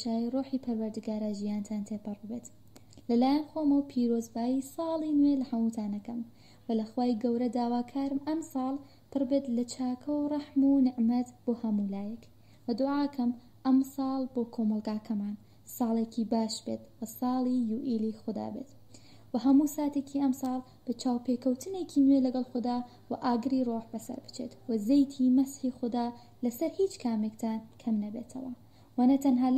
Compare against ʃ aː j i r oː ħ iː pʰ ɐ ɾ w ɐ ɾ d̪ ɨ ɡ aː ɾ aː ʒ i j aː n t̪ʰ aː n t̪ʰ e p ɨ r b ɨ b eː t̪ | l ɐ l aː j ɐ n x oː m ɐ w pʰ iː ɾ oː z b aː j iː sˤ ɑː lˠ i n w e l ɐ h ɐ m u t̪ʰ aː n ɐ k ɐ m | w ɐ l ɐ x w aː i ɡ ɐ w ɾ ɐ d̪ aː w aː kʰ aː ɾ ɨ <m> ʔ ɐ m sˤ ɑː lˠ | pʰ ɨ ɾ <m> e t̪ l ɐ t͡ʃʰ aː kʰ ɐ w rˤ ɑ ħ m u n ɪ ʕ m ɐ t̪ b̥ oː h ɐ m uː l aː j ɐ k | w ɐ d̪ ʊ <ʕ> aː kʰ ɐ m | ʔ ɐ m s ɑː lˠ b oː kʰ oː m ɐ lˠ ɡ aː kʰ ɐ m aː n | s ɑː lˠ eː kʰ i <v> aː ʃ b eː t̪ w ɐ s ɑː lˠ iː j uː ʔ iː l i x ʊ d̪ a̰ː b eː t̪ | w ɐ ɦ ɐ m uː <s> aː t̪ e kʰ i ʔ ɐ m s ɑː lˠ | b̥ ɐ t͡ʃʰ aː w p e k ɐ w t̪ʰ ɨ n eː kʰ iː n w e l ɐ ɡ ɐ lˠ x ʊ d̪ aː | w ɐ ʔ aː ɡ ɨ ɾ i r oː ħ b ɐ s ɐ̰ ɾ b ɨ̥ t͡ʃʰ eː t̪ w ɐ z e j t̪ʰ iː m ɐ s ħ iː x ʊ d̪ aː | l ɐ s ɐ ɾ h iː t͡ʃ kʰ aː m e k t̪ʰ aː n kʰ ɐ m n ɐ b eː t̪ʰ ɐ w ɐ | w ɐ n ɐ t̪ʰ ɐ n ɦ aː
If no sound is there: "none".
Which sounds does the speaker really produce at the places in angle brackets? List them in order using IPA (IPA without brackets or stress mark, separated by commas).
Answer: m, b, ʕ, b, s